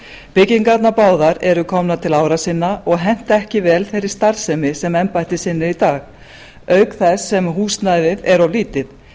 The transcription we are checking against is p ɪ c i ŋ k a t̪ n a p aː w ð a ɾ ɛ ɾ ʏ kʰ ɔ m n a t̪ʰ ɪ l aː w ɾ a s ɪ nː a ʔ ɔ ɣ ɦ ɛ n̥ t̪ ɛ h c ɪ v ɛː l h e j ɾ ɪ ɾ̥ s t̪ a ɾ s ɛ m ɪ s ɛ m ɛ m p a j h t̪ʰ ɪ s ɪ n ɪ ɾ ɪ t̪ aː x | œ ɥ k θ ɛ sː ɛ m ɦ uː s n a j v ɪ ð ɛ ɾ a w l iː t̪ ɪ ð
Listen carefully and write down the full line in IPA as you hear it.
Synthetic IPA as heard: p ɪ c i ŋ k a t̪ n a p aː w ð a ɾ ɛ ɾ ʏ kʰ ɔ m n a t̪ʰ ɪ l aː w ɾ a s ɪ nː a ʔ ɔ ɣ ɦ ɛ n̥ t̪ ɛ h c ɪ v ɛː l θ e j ɾ ɪ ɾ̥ s t̪ a ɾ s ɛ m ɪ s ɛ m ɛ m p a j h t̪ ɪ s ɪ nː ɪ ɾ i t̪ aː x | œ ɥ k θ ɛ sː ɛ m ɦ uː s n a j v ɪ ð ɛ ɾ a w l iː t̪ ɪ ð